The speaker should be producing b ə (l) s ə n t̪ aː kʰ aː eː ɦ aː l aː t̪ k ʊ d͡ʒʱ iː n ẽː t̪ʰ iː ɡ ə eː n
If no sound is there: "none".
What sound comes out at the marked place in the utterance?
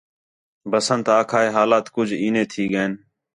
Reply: none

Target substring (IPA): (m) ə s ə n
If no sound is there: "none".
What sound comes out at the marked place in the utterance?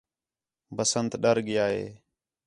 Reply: b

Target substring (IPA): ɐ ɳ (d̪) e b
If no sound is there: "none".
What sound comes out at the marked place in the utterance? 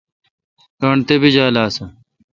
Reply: t̪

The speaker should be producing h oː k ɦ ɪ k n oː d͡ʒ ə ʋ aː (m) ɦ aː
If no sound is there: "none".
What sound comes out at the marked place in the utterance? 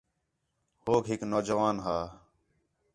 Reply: n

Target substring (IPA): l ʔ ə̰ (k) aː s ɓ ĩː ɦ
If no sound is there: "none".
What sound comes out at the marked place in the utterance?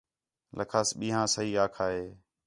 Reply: kʰ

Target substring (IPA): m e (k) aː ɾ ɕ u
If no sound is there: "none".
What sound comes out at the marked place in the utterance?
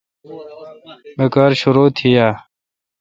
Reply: k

